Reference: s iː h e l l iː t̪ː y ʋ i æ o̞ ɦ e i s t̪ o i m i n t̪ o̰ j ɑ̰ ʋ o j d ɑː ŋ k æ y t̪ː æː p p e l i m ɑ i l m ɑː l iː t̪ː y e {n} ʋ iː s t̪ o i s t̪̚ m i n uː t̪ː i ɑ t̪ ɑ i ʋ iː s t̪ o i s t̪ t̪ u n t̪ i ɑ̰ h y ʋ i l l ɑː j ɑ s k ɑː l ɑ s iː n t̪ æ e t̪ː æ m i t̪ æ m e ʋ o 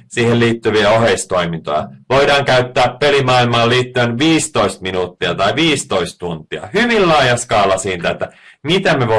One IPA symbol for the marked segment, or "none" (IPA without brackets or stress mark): n